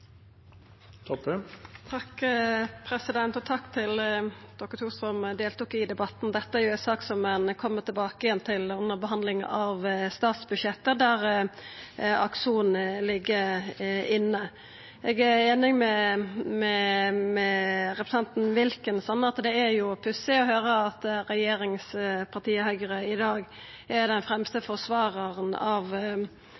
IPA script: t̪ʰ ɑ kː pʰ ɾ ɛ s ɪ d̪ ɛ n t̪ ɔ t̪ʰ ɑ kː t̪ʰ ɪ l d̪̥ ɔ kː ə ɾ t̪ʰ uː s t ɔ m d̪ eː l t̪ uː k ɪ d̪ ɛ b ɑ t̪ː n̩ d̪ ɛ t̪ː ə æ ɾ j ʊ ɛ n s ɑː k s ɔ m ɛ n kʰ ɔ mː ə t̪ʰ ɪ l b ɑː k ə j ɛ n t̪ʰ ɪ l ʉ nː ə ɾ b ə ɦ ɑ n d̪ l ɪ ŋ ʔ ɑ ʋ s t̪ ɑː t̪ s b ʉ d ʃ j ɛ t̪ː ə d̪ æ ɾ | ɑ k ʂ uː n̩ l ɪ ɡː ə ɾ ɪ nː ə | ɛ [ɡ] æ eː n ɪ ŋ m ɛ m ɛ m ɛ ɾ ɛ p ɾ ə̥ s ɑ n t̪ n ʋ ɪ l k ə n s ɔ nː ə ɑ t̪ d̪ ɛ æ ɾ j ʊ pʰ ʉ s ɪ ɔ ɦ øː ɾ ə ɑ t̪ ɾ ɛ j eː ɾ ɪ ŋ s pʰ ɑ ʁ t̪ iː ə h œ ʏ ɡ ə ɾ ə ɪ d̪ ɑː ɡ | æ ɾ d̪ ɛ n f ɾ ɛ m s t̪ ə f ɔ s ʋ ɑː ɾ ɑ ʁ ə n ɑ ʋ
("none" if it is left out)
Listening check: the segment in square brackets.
ɡ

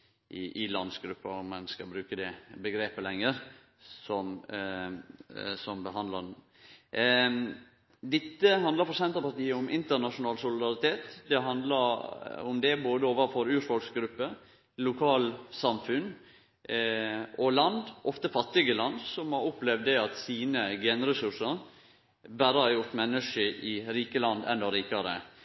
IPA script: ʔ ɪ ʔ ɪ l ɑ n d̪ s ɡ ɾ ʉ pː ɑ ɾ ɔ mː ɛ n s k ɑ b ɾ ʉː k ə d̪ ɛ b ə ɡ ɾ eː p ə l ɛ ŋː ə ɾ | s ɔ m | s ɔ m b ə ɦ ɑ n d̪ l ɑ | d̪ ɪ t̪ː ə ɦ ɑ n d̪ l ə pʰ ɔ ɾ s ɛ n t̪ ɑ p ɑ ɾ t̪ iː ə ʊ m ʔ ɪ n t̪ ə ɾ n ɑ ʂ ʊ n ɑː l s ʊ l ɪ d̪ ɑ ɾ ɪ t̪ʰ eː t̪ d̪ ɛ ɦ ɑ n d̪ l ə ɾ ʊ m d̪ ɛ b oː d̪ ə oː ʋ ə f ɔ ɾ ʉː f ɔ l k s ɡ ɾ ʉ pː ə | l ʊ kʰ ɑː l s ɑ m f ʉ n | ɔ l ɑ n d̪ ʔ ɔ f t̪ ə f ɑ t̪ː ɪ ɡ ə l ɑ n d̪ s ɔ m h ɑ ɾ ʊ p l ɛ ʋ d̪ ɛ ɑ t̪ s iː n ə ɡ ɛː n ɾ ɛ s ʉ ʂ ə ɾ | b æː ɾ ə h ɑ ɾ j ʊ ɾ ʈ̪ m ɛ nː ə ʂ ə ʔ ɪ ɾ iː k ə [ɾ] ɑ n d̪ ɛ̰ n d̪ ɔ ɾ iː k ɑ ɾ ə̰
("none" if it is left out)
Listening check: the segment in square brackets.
l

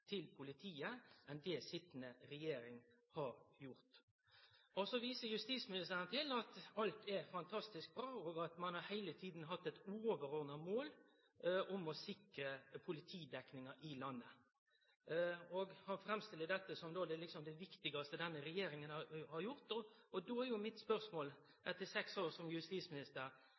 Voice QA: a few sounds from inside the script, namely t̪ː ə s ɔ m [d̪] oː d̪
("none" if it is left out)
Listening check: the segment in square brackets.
d̪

